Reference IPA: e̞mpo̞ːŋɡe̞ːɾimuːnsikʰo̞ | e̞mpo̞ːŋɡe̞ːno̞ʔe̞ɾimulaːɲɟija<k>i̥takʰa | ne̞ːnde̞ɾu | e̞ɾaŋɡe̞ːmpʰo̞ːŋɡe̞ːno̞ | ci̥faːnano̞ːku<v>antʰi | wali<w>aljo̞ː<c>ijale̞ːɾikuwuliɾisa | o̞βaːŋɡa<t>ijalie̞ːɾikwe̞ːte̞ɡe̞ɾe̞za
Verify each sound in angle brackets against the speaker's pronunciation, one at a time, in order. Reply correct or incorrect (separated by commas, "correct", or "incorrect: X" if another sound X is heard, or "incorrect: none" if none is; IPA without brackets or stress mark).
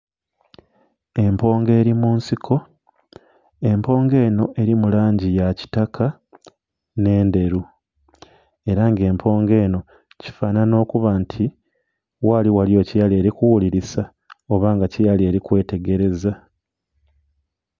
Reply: incorrect: c, incorrect: β, correct, correct, incorrect: c